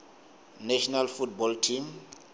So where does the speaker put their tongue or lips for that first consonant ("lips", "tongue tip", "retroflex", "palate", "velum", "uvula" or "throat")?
tongue tip